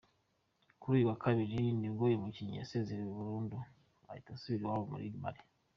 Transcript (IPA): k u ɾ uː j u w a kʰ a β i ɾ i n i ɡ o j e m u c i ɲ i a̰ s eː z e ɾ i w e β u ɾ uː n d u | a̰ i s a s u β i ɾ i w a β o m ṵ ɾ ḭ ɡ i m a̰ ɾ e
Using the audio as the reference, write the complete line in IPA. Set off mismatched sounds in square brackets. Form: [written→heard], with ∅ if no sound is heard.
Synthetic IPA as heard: k u ɾ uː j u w a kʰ a β i ɾ i n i ɡ o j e m u c i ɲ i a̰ s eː z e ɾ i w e β u ɾ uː n d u | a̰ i [s→t] a s u β i ɾ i w a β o m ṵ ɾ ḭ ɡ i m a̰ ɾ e